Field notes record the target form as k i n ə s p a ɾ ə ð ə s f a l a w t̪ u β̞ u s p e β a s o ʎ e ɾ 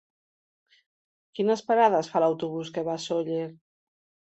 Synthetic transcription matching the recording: k i n ə s p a ɾ a ð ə s f a l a w t̪ u β̞ u s k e β a s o ʎ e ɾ